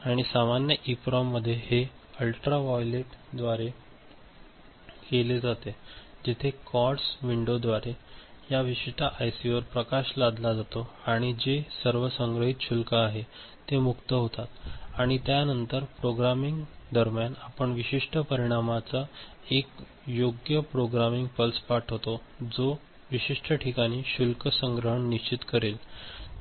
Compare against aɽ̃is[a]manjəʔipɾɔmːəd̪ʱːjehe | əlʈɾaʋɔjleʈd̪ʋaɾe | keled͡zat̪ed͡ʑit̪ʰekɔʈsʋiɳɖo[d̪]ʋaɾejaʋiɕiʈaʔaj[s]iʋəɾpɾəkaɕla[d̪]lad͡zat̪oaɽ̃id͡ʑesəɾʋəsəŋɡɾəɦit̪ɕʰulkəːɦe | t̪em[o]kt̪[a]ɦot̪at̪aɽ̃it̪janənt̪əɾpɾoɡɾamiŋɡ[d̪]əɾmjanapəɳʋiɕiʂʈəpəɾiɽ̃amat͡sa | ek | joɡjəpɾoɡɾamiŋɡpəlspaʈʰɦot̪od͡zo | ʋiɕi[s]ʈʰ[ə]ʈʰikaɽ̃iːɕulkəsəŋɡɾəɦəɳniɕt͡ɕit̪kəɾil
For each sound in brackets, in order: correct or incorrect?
correct, correct, correct, correct, incorrect, incorrect, correct, incorrect, correct

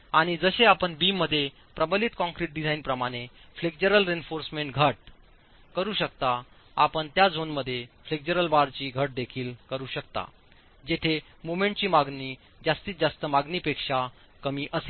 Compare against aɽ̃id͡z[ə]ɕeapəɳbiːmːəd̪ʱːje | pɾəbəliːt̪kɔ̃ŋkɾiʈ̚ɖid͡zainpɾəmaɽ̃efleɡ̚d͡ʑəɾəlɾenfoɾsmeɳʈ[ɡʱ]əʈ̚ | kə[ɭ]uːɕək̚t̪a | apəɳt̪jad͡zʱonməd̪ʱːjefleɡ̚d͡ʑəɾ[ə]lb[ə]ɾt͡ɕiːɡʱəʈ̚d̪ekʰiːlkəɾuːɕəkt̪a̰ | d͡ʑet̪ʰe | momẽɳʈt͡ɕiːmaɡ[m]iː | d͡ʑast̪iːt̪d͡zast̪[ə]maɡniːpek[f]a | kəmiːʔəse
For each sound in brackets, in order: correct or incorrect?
correct, correct, incorrect, correct, incorrect, incorrect, correct, incorrect

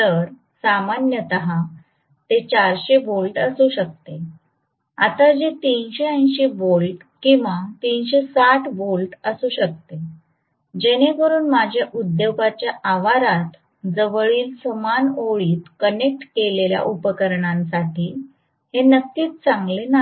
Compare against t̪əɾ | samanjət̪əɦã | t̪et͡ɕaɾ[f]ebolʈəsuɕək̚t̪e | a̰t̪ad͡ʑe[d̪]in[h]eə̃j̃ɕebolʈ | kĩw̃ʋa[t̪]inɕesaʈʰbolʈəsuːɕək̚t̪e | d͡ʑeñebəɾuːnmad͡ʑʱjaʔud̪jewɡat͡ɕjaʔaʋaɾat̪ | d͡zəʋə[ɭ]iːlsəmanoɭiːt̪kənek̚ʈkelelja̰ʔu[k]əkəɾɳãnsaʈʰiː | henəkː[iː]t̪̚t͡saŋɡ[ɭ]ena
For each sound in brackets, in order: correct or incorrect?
incorrect, incorrect, incorrect, correct, correct, incorrect, correct, incorrect

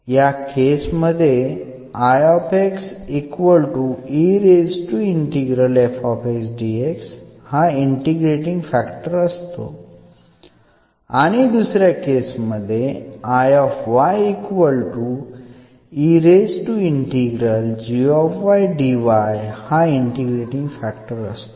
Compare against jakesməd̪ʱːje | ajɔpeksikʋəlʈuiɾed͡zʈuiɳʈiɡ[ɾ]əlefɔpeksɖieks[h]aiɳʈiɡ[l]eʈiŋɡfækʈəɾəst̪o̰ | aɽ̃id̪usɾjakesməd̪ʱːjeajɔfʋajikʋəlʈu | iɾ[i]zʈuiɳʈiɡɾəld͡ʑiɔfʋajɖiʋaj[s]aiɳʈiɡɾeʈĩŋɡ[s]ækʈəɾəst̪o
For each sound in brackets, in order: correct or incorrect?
correct, correct, incorrect, incorrect, incorrect, incorrect

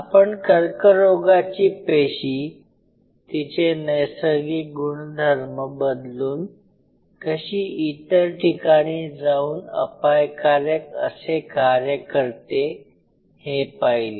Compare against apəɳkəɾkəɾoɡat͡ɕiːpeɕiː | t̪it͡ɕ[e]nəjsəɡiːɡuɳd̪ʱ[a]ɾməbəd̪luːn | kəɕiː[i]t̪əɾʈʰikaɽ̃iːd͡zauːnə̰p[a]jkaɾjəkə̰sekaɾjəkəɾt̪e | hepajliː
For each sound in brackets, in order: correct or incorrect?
correct, incorrect, correct, correct

